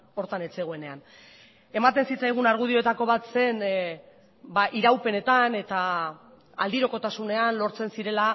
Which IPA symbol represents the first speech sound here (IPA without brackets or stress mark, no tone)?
o̞